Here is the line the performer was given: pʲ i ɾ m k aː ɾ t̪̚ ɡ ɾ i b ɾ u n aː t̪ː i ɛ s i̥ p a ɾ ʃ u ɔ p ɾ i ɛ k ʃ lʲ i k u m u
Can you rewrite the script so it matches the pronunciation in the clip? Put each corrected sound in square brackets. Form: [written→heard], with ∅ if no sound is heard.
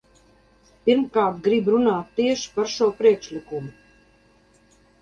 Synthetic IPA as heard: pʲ i ɾ m k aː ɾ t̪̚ ɡ ɾ i b ɾ u n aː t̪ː i ɛ [s→ʃ] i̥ p a ɾ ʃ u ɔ p ɾ i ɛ k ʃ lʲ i k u m u